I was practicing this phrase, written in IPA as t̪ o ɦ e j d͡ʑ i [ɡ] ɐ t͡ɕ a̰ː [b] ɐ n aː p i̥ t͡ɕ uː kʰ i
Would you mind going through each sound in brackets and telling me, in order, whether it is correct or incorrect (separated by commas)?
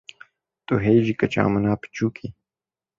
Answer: incorrect, incorrect